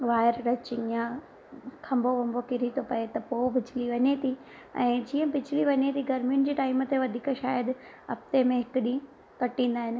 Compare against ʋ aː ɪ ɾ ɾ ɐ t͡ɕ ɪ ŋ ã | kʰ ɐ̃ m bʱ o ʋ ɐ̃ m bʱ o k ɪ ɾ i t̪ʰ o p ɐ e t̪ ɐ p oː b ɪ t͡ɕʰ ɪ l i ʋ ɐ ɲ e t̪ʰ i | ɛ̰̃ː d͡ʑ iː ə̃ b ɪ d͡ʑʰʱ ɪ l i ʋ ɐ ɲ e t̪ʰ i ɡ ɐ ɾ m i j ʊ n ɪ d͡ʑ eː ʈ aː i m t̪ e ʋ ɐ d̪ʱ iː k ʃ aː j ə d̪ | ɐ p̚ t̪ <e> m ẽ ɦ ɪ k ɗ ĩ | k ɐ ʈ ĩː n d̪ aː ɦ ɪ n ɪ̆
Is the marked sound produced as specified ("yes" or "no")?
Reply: yes